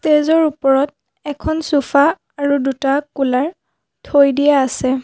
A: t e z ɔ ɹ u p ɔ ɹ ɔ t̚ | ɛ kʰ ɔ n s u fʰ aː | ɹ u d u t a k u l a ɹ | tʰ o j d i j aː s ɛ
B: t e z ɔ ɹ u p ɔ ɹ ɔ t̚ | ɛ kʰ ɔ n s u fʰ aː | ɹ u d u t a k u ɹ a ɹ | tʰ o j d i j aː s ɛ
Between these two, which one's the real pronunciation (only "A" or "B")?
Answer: A